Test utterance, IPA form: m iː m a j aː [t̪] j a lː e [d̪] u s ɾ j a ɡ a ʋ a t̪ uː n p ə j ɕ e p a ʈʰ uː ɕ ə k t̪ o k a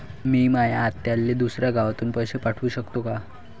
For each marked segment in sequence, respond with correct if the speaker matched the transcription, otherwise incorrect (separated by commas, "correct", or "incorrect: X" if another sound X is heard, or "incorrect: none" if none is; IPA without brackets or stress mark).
correct, correct